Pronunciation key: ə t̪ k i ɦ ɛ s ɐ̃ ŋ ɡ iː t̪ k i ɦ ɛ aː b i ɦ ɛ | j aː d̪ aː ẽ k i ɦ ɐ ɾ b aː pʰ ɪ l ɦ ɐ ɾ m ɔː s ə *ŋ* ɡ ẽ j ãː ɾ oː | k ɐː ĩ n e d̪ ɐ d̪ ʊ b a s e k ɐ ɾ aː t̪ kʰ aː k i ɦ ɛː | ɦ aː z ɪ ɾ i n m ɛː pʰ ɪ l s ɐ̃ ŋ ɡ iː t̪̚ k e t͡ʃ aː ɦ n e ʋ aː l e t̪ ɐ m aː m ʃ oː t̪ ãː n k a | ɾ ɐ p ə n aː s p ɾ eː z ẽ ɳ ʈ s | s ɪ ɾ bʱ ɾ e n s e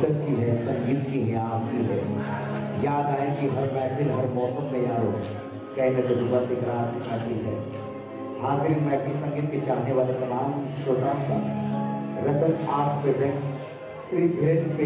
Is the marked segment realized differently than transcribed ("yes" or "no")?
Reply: yes